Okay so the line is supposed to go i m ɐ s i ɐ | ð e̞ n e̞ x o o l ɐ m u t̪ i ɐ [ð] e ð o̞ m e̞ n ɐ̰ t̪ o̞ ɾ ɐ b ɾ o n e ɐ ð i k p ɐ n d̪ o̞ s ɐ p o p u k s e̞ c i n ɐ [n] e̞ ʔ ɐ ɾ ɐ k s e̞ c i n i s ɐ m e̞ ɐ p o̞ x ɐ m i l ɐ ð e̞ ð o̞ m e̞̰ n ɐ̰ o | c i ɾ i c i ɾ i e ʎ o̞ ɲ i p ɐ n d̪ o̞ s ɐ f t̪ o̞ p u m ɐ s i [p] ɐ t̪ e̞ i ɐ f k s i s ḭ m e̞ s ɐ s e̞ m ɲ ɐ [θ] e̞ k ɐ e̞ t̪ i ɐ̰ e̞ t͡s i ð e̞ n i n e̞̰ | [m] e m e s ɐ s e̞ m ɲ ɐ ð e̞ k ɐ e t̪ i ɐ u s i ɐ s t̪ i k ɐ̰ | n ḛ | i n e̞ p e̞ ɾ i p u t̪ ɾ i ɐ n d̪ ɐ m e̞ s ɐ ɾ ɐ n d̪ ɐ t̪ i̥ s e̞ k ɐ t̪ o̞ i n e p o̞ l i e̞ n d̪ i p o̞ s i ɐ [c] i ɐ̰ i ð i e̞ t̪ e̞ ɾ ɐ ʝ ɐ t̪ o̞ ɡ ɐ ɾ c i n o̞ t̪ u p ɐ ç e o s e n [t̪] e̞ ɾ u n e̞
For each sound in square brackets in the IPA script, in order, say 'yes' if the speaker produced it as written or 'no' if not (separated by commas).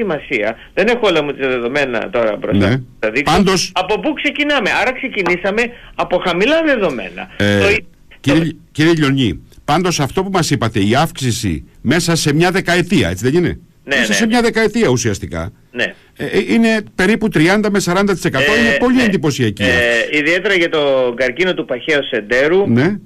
yes, no, yes, no, no, yes, no